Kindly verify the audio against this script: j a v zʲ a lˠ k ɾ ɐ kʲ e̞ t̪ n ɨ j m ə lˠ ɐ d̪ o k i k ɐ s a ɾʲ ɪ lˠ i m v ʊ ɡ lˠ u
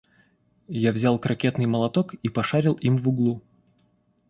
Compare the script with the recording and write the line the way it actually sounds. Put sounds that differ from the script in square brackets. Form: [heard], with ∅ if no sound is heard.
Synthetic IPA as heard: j a v zʲ a lˠ k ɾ ɐ kʲ e̞ t̪ n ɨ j m ə lˠ ɐ [t̪] o k i [p] ɐ [ʂ] a ɾʲ ɪ lˠ i m v ʊ ɡ lˠ u